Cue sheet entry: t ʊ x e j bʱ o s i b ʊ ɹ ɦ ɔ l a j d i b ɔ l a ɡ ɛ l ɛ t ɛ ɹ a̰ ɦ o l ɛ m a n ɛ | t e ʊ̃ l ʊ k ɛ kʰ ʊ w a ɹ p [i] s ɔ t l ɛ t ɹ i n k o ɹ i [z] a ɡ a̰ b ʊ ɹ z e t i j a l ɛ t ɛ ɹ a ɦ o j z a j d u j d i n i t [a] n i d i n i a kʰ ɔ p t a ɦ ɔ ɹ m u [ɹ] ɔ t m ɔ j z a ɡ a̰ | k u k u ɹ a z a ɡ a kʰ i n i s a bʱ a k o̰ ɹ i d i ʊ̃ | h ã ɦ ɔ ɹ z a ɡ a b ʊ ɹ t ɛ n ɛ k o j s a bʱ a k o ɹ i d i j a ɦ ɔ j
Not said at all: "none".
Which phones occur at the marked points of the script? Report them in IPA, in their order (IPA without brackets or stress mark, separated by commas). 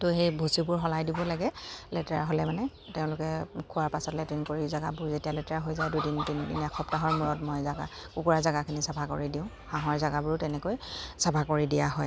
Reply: a, z, i, ɹ